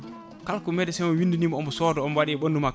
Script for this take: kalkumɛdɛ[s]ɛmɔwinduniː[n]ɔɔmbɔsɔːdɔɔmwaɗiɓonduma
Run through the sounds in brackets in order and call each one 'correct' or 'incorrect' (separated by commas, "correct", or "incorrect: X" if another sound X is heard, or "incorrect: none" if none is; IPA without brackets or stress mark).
correct, incorrect: m